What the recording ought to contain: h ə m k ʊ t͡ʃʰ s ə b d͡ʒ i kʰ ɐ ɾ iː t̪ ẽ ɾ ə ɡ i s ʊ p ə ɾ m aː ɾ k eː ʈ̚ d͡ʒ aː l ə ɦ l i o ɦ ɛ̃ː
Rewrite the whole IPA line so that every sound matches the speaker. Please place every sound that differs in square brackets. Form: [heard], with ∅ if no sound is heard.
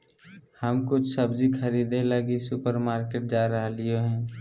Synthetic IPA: h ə m k ʊ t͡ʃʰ s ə b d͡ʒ i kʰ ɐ ɾ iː [d̪] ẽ [l] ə ɡ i s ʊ p ə ɾ m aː ɾ k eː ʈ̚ d͡ʒ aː [ɾ] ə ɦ l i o ɦ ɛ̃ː